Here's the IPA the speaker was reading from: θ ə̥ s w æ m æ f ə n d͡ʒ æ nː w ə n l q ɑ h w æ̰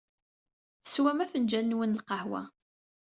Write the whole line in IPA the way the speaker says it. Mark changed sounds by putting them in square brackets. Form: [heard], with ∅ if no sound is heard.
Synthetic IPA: θ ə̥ s w æ m æ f ə n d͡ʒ æ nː w ə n l q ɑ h w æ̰